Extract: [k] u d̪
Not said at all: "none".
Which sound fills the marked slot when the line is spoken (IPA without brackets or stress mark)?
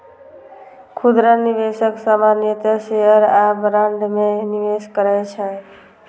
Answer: kʰ